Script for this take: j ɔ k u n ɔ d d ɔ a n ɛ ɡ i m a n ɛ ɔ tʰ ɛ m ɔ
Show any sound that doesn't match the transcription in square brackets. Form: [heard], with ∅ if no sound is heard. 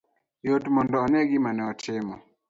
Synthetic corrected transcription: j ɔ [t] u [m] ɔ [n] d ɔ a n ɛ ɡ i m a n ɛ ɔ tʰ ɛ m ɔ